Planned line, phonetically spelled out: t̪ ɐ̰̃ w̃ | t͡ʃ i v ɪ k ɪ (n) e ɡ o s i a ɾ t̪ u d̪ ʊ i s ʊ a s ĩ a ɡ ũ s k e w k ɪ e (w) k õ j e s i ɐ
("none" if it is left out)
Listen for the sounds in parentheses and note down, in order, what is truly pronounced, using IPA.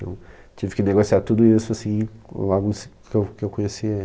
n, w

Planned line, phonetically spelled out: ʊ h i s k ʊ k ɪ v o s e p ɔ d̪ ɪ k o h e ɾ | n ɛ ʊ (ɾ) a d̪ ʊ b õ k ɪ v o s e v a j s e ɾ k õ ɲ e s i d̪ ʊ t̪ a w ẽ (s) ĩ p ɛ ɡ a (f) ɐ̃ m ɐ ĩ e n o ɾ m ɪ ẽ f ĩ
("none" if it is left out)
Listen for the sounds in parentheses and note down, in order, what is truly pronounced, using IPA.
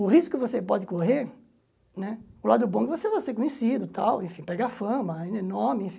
l, f, f

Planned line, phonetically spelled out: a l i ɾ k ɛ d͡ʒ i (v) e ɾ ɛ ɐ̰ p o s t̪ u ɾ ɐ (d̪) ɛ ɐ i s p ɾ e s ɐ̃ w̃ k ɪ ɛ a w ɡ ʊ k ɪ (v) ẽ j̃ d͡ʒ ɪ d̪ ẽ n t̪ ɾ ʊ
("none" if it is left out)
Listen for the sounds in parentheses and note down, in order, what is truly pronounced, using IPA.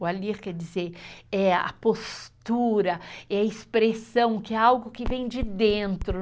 z, none, v

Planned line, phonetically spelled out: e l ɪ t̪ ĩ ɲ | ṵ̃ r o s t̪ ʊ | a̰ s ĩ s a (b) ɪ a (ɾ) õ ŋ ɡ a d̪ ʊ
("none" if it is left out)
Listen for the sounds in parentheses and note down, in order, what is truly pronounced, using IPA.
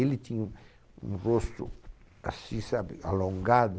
b, l

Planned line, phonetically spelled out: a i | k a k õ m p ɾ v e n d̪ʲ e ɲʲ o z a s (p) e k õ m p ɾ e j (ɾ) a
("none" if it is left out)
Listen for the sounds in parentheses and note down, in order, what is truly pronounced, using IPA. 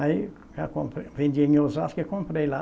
k, l

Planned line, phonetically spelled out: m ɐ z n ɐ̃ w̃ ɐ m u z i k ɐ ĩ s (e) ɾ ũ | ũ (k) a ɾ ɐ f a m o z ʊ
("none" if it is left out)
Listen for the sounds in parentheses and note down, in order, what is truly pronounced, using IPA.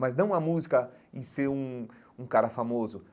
e, k

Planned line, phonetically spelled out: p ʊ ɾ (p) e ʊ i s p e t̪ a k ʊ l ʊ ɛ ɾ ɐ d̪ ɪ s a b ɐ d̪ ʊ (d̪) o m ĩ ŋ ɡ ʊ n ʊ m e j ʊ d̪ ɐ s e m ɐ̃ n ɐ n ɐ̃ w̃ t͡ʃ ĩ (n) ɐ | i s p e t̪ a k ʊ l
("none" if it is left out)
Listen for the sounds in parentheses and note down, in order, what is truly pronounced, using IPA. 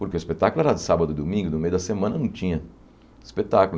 k, d̪, ɲ

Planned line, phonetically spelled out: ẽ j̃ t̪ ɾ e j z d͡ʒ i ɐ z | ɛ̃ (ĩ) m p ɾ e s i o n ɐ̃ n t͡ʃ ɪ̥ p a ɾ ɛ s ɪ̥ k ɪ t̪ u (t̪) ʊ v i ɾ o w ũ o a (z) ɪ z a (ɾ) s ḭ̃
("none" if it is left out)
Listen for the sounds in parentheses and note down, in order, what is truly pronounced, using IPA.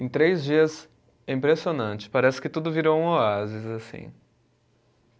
ĩ, d̪, z, none

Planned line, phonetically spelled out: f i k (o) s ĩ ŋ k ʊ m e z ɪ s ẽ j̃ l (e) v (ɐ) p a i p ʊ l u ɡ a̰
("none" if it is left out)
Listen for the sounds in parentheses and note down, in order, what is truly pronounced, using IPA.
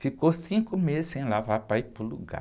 o, a, a

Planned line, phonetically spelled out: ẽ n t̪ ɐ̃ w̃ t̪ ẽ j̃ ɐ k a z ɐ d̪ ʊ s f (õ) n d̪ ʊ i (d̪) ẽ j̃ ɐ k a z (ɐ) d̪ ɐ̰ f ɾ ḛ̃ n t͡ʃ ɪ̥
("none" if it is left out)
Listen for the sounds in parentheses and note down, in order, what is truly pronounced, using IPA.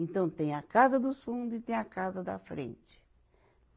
ũ, t̪, ɐ

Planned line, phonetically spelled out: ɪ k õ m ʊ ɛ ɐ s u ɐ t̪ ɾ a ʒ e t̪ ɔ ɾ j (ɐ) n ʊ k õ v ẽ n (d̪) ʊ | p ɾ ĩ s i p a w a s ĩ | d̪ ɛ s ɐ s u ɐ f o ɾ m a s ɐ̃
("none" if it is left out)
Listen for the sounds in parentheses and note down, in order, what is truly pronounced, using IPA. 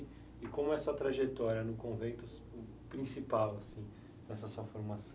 ɐ, t̪

